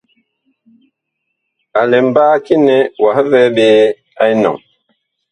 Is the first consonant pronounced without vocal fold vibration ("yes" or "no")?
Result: no